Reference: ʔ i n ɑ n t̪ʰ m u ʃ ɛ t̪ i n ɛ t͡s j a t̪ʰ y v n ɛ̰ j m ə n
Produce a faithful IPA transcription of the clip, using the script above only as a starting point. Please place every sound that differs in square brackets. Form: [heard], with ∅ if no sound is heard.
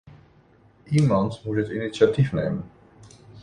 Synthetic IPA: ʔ i [m] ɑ n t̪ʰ m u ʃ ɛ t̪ i n [i] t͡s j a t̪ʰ [i] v n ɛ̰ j m ə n